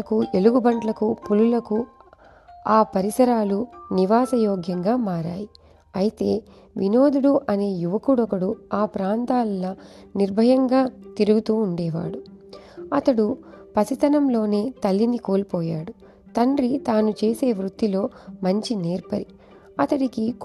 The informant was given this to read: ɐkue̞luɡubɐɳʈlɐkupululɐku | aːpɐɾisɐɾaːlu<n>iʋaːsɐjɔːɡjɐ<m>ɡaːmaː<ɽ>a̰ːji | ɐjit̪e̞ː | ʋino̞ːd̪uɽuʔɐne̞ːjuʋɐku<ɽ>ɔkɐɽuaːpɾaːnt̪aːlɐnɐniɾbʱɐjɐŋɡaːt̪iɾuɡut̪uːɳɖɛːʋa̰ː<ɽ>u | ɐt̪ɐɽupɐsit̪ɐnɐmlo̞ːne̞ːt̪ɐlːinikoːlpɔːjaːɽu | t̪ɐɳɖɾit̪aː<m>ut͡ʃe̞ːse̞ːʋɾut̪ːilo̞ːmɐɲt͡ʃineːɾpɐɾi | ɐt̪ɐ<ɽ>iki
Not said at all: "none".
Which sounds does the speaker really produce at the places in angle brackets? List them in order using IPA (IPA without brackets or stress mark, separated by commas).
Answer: n, ŋ, ɾ, ɽ, ɽ, n, ɽ